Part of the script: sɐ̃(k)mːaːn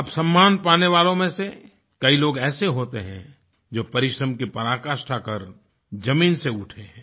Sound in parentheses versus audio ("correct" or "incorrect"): incorrect